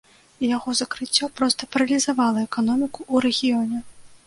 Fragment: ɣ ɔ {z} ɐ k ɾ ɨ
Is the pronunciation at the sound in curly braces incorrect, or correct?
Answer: correct